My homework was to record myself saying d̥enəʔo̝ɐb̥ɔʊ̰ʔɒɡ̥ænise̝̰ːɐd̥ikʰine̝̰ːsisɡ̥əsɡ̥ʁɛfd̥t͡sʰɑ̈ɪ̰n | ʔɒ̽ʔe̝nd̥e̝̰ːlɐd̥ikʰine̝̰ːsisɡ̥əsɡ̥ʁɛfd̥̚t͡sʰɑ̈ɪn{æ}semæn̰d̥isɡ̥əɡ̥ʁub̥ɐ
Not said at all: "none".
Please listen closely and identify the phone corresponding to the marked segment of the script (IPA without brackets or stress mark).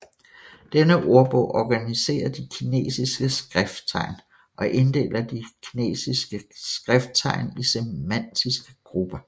i